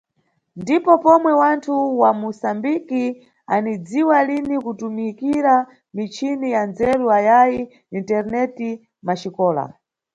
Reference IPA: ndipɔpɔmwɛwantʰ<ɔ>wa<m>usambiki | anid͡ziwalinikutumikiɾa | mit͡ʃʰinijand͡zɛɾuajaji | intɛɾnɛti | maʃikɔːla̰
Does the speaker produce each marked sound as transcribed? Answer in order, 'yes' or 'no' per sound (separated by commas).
no, yes